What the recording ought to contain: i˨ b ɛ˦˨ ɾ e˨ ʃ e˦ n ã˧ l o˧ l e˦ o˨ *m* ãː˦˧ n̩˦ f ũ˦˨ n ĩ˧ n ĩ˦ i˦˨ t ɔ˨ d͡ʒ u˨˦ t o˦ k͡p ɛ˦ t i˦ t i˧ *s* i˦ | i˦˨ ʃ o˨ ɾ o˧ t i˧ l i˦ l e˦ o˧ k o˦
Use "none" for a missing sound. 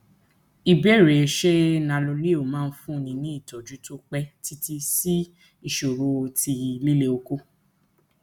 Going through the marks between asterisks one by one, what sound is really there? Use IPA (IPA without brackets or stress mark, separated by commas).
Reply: m, s